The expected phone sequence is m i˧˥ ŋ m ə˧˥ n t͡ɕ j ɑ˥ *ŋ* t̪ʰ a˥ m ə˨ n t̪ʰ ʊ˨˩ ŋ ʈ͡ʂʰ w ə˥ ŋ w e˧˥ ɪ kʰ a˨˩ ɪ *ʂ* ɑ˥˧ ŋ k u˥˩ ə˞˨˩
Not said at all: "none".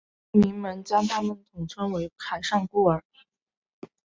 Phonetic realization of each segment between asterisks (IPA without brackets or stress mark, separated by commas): ŋ, ʂ